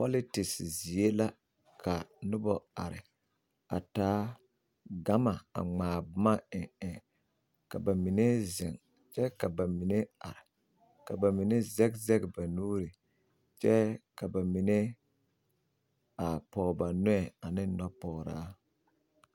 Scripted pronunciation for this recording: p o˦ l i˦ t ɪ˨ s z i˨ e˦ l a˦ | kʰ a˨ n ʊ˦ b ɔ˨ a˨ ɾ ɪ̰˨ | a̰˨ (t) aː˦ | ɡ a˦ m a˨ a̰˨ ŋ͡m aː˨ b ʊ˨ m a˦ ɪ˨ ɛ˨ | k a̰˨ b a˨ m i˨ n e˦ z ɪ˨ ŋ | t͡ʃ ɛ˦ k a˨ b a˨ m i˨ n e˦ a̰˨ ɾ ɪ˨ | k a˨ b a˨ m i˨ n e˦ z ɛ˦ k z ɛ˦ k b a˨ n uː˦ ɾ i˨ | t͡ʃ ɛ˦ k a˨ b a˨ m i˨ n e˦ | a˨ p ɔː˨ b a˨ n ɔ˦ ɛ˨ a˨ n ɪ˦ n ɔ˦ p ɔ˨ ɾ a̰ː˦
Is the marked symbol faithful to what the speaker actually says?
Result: yes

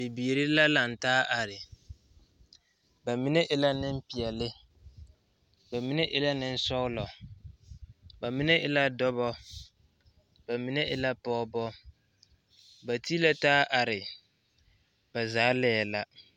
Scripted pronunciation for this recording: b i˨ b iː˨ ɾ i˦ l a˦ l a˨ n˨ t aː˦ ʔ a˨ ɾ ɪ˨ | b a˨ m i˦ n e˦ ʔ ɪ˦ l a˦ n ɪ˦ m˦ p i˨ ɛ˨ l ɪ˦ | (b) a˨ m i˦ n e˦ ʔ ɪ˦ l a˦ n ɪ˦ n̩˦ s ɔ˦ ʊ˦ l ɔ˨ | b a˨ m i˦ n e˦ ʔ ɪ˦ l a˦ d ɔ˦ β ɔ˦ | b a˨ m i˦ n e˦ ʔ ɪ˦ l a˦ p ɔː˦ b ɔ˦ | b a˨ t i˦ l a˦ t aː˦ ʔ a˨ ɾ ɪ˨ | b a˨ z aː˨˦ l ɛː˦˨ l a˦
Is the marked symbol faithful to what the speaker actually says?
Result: yes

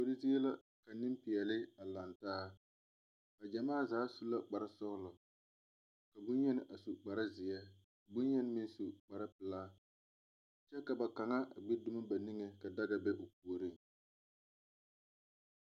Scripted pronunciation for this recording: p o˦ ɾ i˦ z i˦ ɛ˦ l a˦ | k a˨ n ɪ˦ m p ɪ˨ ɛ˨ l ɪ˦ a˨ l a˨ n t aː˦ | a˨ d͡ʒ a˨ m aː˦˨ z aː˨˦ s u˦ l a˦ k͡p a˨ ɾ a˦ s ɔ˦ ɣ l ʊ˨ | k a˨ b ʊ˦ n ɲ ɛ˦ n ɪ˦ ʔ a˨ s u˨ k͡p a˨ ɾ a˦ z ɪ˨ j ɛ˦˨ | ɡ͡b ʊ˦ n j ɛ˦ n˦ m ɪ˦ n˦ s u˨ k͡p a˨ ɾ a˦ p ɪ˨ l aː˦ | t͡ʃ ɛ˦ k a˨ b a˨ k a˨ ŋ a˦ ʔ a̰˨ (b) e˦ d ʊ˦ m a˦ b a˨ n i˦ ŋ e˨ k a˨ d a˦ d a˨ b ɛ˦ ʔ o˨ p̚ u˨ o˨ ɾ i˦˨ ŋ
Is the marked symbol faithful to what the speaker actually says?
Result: no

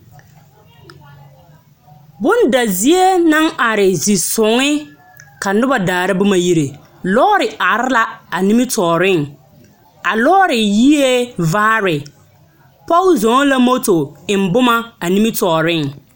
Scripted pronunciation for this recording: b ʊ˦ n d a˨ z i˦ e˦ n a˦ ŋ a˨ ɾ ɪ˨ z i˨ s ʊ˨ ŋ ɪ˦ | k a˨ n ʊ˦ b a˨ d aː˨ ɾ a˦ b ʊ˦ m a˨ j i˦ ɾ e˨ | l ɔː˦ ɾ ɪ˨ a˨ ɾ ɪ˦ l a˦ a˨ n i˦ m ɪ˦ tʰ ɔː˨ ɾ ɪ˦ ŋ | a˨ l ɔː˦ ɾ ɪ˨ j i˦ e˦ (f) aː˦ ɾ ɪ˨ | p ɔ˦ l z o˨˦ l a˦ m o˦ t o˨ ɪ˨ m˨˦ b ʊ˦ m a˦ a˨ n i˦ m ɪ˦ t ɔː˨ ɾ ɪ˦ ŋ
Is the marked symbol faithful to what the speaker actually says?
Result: no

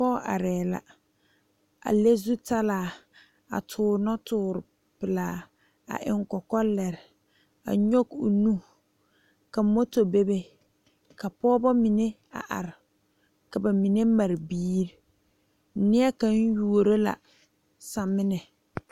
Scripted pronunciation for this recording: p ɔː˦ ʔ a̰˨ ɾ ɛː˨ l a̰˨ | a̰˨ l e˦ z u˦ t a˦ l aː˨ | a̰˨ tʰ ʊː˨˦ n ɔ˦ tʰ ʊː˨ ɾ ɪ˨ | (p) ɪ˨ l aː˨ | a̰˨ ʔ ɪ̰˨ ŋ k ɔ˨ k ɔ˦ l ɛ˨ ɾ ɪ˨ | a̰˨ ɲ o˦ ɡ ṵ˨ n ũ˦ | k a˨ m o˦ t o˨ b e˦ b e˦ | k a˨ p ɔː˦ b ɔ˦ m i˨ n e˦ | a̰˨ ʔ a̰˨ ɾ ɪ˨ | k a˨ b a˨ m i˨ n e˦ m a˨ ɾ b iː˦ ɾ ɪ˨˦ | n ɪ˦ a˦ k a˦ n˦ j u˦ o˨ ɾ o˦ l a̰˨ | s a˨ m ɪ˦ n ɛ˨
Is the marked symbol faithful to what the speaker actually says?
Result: yes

